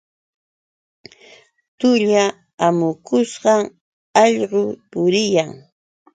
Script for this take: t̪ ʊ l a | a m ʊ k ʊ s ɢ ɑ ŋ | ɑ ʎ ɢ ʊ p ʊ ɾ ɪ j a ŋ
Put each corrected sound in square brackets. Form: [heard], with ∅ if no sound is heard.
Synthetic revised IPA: t̪ ʊ [ʎ] a | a m ʊ k ʊ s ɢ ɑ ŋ | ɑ ʎ ɢ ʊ p ʊ ɾ ɪ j a ŋ

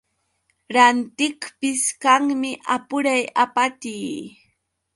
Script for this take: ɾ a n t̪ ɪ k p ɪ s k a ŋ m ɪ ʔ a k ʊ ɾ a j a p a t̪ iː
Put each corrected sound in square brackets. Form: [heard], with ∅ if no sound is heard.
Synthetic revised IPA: ɾ a n t̪ ɪ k p ɪ s k a ŋ m ɪ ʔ a [p] ʊ ɾ a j a p a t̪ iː

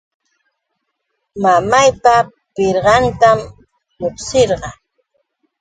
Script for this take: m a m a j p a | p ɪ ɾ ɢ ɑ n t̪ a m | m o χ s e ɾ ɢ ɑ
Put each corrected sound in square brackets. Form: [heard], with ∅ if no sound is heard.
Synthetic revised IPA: m a m a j p a | p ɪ ɾ ɢ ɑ n t̪ a m | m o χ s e ɾ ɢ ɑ

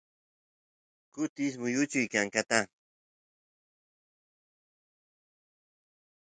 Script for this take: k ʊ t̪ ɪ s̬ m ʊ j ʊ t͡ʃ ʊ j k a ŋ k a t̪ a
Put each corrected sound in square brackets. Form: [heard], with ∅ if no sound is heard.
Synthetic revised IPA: k ʊ t̪ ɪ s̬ m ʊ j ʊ t͡ʃ ʊ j k a ŋ k a t̪ a

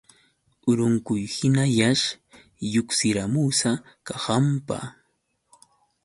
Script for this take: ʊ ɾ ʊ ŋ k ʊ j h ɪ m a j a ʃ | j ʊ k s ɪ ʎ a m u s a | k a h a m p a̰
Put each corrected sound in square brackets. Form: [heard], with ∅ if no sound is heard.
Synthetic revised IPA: ʊ ɾ ʊ ŋ k ʊ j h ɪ [n] a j a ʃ | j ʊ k s ɪ [ɾ] a m u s a | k a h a m p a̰

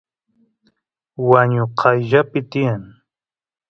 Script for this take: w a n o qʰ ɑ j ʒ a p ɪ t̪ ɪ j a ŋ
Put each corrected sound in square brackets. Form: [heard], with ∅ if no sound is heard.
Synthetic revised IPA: w a [ɲ] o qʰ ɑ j ʒ a p ɪ t̪ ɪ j a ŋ

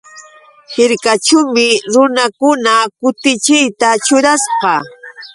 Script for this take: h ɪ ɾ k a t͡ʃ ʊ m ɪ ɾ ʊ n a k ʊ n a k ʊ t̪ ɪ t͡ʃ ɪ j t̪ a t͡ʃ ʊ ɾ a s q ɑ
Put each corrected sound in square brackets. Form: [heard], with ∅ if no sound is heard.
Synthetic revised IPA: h ɪ ɾ k a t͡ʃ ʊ m ɪ ɾ ʊ n a k ʊ n a k ʊ t̪ ɪ t͡ʃ ɪ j t̪ a t͡ʃ ʊ ɾ a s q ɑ

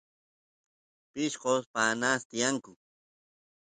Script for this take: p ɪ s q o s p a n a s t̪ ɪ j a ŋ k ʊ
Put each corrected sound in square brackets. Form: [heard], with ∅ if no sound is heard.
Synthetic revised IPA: p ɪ [ʃ] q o s p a n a s t̪ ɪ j a ŋ k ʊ

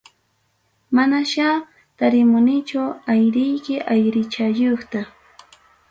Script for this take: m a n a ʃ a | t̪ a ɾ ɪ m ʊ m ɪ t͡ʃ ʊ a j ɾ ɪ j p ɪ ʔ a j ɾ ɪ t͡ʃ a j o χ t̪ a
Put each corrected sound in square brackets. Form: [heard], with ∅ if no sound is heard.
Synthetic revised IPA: m a n a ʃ a | t̪ a ɾ ɪ m ʊ [n] ɪ t͡ʃ ʊ a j ɾ ɪ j [k] ɪ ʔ a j ɾ ɪ t͡ʃ a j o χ t̪ a

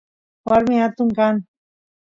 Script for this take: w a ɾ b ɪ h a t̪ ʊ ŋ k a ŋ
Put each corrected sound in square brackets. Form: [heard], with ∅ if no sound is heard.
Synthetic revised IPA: w a ɾ [m] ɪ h a t̪ ʊ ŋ k a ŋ

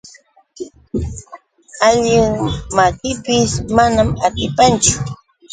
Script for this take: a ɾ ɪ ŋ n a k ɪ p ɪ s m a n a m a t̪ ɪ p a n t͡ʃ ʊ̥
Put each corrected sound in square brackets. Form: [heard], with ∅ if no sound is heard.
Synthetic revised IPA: a [ʎ] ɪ ŋ [m] a k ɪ p ɪ s m a n a m a t̪ ɪ p a n t͡ʃ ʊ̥

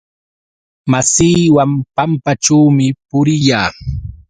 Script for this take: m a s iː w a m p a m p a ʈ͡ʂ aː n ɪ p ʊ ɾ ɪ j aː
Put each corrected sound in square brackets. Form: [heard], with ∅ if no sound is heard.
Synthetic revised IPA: m a s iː w a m p a m p a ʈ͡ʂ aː [m] ɪ p ʊ ɾ ɪ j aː

